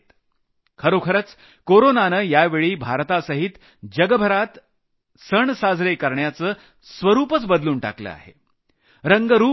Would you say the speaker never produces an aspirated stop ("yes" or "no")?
no